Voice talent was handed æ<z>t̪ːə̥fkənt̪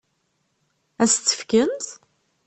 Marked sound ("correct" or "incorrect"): incorrect